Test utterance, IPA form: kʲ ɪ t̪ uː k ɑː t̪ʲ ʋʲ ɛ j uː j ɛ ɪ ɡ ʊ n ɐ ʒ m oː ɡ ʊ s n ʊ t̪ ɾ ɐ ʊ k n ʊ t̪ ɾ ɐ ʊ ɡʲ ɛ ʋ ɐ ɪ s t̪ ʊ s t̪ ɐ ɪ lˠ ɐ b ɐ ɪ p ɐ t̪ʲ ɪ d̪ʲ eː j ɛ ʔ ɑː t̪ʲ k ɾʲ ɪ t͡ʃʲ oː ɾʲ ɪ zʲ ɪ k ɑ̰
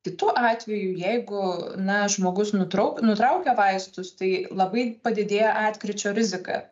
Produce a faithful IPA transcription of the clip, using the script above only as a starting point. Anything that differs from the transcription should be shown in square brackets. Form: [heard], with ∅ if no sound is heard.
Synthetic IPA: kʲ ɪ t̪ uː [ʔ] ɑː t̪ʲ ʋʲ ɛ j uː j ɛ ɪ ɡ ʊ n ɐ ʒ m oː ɡ ʊ s n ʊ t̪ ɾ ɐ ʊ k n ʊ t̪ ɾ ɐ ʊ [kʲ] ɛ ʋ ɐ ɪ s t̪ ʊ s t̪ ɐ ɪ lˠ ɐ b ɐ ɪ p ɐ [d̪ʲ] ɪ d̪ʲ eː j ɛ ʔ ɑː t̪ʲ k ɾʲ ɪ t͡ʃʲ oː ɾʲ ɪ zʲ ɪ k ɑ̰